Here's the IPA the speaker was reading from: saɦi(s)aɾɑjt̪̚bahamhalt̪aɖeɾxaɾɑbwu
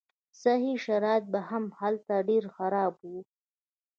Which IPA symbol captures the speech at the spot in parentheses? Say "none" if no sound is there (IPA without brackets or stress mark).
ʃ